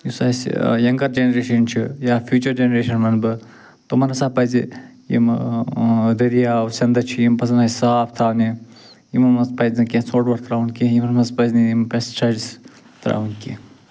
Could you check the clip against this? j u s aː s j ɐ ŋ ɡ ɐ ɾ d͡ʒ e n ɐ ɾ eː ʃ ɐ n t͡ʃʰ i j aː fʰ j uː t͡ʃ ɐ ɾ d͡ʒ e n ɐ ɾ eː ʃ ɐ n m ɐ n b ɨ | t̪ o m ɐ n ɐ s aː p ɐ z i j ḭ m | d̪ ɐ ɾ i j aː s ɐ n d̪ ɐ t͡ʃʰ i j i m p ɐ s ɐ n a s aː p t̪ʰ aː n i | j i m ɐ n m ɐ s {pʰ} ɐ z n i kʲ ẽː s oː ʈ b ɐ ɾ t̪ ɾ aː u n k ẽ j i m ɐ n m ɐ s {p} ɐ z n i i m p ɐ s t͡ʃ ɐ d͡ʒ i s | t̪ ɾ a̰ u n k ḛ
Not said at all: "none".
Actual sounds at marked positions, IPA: p, p

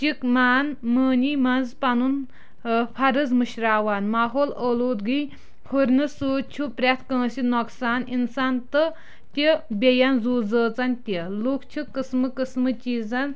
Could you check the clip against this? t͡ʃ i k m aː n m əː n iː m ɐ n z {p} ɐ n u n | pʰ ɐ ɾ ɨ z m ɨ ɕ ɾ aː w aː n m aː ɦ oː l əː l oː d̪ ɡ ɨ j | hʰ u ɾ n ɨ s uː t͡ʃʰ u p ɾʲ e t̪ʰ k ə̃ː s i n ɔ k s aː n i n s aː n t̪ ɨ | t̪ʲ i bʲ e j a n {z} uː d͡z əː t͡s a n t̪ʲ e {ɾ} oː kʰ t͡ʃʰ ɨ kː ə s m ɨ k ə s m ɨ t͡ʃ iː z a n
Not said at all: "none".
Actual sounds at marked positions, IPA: p, z, l

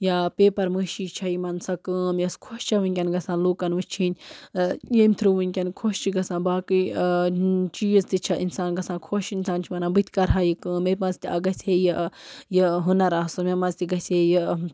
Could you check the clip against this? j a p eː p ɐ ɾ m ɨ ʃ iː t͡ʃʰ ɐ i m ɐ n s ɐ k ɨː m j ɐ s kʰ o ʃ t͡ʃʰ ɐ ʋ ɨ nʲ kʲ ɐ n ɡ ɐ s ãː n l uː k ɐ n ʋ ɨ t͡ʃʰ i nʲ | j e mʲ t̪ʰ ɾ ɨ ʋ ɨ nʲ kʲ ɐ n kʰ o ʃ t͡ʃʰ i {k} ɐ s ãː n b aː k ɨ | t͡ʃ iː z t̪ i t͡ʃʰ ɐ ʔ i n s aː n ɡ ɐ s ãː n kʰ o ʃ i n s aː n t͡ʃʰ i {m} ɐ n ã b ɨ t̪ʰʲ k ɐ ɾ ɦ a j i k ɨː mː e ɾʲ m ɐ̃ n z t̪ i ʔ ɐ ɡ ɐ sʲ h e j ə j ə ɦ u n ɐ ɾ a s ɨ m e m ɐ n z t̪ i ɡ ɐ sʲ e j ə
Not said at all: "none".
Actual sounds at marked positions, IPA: ɡ, m

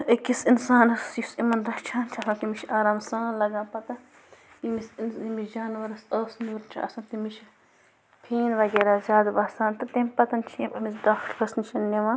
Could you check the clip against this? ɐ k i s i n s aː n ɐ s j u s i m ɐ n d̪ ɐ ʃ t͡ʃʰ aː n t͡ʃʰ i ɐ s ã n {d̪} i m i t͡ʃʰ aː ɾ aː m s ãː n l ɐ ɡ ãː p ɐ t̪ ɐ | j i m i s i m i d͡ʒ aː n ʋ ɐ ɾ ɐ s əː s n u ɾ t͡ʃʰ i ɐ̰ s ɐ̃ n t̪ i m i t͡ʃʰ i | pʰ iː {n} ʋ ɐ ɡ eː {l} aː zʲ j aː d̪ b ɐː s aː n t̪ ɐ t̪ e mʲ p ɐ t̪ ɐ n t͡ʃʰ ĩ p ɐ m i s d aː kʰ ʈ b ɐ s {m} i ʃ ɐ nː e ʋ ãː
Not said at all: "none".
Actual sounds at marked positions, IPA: t̪, n, ɾ, n

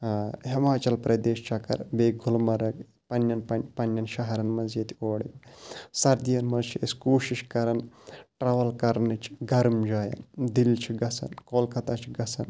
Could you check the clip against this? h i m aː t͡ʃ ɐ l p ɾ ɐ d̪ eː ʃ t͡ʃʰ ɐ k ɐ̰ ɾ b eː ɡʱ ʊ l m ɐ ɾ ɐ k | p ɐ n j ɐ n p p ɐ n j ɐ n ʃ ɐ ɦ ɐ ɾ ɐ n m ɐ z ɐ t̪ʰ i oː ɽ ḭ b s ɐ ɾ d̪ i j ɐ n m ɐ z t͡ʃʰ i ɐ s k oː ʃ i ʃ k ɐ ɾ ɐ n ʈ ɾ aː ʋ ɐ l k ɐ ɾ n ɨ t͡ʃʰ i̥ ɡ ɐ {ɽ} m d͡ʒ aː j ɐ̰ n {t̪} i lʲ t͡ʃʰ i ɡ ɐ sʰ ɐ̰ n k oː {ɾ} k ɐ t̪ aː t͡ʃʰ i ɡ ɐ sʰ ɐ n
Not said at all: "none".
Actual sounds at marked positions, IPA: ɾ, d̪, l

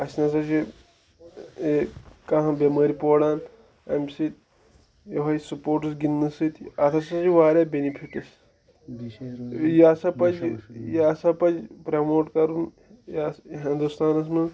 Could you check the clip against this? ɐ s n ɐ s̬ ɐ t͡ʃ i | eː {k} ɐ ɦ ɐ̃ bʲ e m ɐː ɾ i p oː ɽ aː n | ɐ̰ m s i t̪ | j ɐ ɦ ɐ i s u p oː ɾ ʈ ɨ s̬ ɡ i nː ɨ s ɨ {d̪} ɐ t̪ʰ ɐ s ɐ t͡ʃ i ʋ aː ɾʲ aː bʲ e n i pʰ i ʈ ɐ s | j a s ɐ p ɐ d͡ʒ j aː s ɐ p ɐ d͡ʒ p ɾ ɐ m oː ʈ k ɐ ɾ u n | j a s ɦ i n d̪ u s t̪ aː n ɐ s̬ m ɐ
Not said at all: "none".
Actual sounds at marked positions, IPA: k, t̪

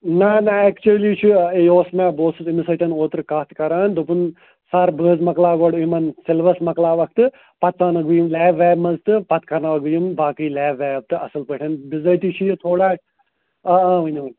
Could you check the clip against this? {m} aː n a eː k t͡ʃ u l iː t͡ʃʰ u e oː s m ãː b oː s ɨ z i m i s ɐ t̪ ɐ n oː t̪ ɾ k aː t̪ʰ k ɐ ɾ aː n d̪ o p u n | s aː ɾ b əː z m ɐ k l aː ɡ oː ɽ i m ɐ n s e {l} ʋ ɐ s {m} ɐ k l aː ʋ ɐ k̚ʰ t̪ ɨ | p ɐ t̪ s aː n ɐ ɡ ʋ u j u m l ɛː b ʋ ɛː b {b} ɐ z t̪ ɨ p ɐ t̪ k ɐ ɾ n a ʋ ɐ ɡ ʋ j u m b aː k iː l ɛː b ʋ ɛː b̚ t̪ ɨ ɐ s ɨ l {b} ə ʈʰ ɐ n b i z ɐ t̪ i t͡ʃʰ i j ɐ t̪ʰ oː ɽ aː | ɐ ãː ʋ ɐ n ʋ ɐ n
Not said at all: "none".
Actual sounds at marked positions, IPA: n, l, m, m, p

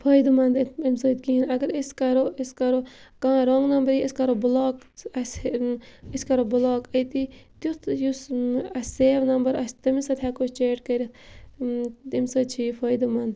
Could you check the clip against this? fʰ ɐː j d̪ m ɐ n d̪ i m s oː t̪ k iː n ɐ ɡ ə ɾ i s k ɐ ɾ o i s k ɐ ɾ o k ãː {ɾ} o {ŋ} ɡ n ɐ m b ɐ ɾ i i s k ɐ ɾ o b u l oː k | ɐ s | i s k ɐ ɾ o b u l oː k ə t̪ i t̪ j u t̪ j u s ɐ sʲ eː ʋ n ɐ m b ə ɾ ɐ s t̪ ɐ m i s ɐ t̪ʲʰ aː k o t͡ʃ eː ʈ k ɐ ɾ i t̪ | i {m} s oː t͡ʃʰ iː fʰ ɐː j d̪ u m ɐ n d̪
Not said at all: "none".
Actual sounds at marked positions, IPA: ɾ, ŋ, m

